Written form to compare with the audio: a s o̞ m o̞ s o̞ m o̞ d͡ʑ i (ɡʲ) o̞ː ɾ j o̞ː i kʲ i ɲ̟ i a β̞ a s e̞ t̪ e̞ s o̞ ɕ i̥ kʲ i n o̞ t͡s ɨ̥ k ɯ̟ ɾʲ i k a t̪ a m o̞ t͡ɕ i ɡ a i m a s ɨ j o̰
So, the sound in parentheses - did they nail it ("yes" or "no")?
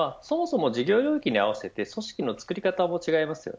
yes